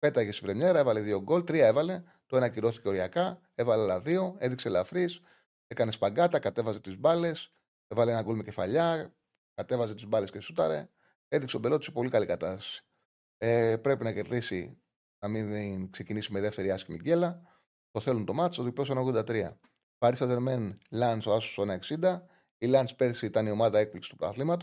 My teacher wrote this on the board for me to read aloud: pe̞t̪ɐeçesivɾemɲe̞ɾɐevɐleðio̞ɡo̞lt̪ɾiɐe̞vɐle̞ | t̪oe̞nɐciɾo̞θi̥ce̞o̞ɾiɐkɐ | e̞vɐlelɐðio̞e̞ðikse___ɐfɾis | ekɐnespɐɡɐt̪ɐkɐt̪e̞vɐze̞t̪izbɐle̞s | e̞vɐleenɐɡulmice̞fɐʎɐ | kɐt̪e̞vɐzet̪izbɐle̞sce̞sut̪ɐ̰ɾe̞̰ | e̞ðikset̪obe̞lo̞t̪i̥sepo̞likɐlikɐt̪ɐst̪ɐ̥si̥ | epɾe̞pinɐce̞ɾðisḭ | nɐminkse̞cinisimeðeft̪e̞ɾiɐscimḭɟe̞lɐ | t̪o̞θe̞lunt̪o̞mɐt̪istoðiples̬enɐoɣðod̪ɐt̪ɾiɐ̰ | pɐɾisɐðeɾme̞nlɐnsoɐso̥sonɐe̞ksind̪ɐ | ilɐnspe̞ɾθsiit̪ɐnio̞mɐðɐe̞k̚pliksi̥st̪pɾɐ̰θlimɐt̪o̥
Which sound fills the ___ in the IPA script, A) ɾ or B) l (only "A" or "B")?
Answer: B